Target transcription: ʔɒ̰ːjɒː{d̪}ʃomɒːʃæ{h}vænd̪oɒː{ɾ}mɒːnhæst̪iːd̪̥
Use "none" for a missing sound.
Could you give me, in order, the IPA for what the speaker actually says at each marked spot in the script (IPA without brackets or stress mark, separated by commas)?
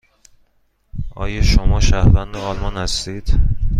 none, h, l